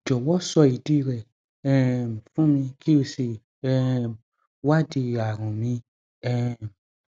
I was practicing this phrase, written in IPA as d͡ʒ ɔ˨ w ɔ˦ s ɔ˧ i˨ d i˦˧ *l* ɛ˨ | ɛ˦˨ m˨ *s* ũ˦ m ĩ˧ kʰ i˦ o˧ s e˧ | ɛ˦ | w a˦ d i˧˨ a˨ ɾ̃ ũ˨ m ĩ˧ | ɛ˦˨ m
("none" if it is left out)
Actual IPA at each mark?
ɾ, f

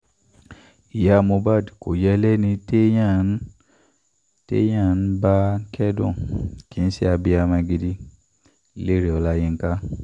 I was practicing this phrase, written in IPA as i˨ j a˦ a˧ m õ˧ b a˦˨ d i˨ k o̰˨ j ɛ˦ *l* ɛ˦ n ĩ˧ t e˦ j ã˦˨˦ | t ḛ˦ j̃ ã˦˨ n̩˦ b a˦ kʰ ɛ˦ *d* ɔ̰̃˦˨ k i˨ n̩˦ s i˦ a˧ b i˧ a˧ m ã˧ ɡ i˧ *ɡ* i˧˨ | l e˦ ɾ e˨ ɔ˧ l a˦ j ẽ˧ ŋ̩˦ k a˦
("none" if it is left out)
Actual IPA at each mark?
l, d, d

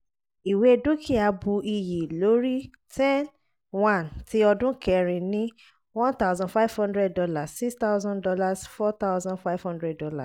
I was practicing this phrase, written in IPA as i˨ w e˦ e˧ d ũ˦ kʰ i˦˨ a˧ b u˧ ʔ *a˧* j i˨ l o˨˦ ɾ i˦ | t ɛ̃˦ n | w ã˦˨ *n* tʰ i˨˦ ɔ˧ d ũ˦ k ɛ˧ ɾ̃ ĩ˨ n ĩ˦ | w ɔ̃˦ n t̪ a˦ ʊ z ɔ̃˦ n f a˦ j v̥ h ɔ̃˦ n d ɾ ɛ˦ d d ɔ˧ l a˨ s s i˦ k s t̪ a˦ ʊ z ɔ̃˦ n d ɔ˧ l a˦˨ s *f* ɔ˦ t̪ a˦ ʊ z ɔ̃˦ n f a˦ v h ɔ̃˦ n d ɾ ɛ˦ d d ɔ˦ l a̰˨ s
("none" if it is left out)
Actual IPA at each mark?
i˧, n, f

